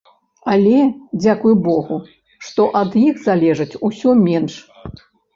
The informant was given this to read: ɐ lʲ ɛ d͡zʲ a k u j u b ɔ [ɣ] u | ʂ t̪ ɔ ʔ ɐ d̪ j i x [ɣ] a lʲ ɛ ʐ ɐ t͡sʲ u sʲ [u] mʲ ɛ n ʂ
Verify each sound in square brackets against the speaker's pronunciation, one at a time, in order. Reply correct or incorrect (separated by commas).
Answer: correct, incorrect, incorrect